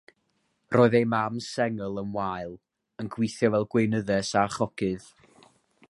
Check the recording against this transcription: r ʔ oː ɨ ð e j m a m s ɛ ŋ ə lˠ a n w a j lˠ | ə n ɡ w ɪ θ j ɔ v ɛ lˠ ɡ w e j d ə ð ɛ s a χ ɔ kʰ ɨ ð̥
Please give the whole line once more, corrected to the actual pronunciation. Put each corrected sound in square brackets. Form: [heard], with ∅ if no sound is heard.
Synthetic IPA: r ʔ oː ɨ ð e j m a m s ɛ ŋ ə lˠ [ə] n w a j lˠ | ə n ɡ w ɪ θ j ɔ v ɛ lˠ ɡ w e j [n] ə ð ɛ s a χ ɔ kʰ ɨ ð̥